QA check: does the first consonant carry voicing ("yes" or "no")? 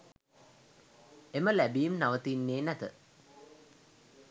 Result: yes